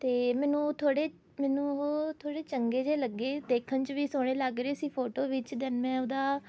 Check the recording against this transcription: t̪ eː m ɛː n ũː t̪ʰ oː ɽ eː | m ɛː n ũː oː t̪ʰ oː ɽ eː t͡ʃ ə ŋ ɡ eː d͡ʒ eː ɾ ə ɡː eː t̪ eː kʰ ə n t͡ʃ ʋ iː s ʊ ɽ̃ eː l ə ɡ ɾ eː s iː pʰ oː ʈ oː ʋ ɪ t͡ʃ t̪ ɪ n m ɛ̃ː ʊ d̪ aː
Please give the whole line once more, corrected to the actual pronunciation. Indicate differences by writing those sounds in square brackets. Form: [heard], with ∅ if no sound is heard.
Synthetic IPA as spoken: t̪ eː m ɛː n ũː t̪ʰ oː ɽ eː | m ɛː n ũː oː t̪ʰ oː ɽ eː t͡ʃ ə ŋ ɡ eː d͡ʒ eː [l] ə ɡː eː [d̪] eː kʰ ə n t͡ʃ ʋ iː s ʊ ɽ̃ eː l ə ɡ ɾ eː s iː pʰ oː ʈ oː ʋ ɪ t͡ʃ [d̪] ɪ n m ɛ̃ː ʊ d̪ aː